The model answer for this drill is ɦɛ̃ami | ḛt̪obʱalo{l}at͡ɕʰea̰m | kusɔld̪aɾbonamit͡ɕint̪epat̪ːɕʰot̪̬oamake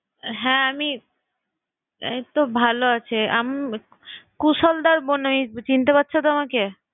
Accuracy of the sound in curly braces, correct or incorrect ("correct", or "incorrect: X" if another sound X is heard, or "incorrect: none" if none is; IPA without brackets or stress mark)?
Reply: incorrect: none